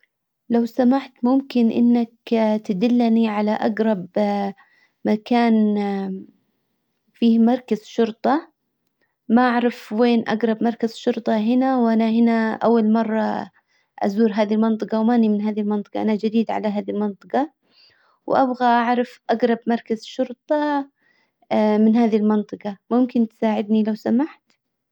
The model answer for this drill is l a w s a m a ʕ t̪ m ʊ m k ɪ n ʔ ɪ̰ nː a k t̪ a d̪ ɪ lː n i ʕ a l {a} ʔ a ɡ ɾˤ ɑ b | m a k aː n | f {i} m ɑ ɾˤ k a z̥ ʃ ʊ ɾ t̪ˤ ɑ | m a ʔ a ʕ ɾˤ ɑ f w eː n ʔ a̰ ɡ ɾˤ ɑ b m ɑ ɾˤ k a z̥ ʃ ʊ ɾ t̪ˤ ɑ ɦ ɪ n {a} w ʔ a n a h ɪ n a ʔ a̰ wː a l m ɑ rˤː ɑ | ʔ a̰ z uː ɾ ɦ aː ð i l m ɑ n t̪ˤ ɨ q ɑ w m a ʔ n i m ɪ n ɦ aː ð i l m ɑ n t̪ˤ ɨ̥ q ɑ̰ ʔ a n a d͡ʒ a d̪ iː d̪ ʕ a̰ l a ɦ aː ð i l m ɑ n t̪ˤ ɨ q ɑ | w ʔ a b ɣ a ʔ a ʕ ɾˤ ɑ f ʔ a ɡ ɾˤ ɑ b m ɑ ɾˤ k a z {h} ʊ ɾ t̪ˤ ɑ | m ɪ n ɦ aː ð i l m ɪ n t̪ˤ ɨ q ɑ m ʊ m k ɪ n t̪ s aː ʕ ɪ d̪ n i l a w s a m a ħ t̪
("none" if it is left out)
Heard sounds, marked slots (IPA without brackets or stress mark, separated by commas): a, iː, a, ʃ